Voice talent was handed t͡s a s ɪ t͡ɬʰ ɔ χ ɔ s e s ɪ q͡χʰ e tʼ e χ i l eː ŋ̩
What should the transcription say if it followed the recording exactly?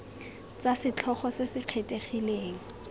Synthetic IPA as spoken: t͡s a s ɪ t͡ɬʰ ɔ χ ɔ s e s ɪ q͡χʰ e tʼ e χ i l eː ŋ̩